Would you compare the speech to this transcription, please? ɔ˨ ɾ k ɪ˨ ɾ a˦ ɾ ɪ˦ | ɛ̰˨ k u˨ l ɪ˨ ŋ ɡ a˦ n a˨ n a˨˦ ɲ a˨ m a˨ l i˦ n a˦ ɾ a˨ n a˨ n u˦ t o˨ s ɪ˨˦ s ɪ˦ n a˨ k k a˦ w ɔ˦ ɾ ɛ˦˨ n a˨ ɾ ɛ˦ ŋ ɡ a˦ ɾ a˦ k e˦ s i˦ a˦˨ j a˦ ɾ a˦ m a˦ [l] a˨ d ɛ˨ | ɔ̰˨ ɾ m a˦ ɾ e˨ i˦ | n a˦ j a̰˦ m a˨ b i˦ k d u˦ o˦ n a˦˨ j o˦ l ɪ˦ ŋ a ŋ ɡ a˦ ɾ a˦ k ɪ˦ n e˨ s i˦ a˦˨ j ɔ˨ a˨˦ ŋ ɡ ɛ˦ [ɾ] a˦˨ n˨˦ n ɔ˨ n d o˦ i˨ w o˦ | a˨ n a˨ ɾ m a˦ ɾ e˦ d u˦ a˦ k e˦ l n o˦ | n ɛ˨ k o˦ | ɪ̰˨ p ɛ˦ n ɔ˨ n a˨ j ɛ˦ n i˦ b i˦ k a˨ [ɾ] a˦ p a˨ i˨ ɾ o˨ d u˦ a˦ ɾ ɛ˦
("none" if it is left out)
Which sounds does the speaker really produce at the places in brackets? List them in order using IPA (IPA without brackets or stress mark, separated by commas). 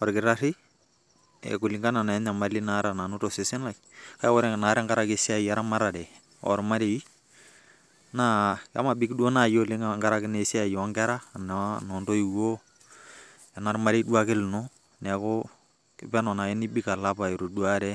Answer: ɾ, ɾ, l